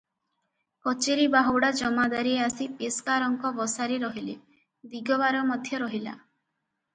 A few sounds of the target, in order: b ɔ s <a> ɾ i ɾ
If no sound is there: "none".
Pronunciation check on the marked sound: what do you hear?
a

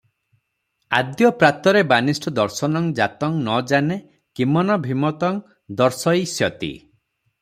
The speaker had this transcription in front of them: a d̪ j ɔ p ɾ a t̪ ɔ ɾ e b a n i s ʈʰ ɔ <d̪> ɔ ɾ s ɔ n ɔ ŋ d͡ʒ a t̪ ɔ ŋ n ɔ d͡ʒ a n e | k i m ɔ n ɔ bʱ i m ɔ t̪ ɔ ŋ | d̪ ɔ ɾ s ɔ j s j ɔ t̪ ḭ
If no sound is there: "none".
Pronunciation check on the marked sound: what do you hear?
d̪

